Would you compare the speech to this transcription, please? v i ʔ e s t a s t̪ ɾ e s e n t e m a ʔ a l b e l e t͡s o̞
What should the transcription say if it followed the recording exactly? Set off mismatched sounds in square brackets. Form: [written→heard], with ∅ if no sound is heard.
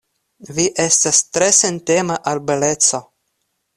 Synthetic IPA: v i ʔ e s t a s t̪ ɾ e s e n t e m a ʔ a l b e l e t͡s o̞